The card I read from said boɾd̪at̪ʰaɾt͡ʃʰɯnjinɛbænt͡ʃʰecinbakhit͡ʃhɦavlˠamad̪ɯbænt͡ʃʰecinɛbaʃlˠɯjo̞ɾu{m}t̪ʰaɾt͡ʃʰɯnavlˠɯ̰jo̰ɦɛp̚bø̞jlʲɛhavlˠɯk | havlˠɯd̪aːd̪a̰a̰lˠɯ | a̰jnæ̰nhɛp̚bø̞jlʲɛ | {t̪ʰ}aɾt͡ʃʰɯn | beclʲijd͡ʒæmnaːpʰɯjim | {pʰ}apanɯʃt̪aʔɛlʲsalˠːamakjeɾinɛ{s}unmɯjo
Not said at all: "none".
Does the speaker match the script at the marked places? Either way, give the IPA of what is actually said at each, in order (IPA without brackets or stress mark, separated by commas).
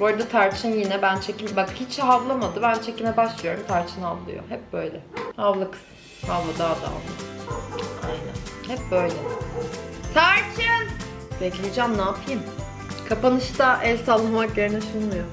m, t̪ʰ, kʰ, ʃ